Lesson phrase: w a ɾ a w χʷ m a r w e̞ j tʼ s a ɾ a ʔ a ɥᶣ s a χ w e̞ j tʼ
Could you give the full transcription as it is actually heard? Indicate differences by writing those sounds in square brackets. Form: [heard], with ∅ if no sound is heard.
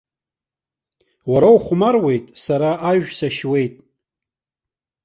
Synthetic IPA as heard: w a ɾ a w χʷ m a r w e̞ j tʼ s a ɾ a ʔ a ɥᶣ s a [ʃ] w e̞ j tʼ